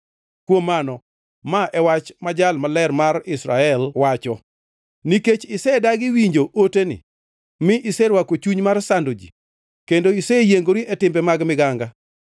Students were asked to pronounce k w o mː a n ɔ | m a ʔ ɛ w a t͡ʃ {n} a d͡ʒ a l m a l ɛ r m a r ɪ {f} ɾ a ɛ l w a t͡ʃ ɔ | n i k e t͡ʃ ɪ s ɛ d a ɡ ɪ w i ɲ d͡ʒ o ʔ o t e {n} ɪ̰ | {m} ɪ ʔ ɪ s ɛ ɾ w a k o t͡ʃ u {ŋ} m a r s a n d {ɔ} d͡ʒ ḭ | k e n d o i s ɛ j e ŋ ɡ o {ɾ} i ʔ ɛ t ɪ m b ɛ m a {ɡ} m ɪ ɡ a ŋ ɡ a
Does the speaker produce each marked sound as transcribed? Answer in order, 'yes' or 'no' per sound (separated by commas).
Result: no, no, yes, yes, no, no, yes, yes